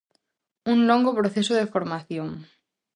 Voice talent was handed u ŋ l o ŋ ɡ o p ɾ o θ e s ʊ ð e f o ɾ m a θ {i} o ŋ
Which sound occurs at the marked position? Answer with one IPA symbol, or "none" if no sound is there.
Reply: j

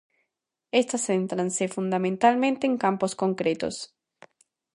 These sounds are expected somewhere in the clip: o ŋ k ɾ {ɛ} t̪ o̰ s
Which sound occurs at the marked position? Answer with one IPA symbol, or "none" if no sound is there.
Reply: e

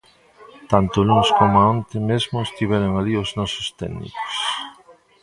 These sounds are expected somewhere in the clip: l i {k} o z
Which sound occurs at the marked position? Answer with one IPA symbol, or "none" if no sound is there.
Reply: none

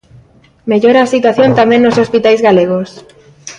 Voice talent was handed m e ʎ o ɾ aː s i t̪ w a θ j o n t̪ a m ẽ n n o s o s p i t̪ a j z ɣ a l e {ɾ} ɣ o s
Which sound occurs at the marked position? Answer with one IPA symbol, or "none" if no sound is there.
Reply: none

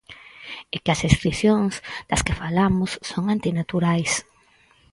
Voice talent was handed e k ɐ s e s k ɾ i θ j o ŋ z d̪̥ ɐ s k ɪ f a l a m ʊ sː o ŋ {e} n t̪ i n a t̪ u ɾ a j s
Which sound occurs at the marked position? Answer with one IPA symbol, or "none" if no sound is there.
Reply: a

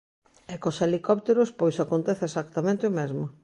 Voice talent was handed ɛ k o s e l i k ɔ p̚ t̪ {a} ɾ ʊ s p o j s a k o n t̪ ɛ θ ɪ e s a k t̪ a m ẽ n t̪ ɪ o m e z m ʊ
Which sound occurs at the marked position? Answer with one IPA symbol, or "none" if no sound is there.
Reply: e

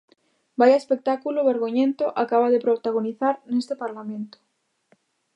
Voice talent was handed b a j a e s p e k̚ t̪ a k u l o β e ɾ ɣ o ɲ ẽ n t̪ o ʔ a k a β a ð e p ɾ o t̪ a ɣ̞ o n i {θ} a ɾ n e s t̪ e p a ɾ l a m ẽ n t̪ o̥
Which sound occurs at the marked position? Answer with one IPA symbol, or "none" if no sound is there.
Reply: θ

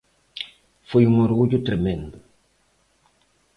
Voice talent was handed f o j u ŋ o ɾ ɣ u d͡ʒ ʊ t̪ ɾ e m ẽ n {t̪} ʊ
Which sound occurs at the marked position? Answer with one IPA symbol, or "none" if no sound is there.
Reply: d̪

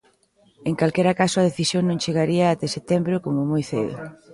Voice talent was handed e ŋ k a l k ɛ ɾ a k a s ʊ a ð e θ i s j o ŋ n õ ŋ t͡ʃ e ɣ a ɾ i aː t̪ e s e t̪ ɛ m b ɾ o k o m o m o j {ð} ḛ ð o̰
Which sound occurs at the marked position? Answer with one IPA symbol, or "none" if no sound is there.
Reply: θ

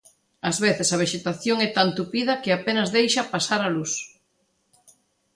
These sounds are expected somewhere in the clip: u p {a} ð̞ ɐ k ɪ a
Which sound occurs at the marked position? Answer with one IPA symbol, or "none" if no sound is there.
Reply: i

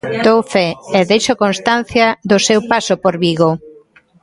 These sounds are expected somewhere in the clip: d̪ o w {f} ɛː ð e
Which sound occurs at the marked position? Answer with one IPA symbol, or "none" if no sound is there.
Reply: f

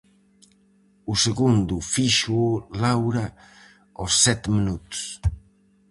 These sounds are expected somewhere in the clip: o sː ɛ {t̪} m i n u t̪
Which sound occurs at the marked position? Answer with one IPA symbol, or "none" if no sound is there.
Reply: t̪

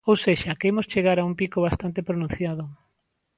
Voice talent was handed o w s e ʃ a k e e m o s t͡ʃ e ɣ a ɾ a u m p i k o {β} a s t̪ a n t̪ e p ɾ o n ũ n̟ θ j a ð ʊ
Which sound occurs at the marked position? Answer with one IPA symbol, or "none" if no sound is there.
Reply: β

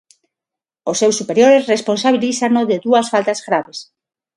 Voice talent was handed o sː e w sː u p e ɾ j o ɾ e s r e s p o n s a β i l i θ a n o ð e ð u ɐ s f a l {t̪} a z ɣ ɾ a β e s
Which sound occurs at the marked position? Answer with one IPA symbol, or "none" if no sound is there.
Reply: t̪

